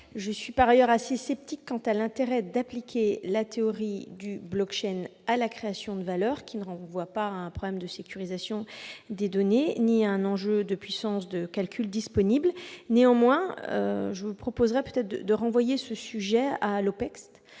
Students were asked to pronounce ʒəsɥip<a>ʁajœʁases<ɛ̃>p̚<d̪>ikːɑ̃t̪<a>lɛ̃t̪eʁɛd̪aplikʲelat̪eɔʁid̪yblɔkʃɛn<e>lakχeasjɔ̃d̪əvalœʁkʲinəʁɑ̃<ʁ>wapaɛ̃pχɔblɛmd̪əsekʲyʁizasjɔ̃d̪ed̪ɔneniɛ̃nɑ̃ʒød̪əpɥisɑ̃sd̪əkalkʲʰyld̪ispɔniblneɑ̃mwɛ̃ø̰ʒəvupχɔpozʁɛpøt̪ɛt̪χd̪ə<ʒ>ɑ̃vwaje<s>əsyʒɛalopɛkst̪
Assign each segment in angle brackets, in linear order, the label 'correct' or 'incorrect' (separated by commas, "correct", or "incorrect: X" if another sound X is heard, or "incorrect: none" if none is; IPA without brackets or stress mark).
correct, incorrect: ɛ, incorrect: t̪, correct, incorrect: a, incorrect: v, incorrect: ʁ, correct